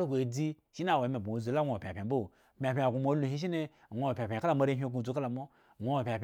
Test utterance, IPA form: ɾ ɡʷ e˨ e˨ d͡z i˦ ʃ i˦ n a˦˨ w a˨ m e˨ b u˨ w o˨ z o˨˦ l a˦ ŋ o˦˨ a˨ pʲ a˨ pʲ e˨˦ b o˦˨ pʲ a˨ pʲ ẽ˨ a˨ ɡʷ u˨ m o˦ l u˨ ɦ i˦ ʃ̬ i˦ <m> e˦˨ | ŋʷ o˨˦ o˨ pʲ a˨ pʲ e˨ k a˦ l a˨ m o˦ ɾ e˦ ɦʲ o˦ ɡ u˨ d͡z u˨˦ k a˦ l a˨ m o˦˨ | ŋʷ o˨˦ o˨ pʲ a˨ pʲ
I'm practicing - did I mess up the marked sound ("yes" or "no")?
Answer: yes